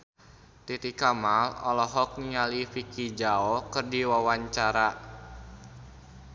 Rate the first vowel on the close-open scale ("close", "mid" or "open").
close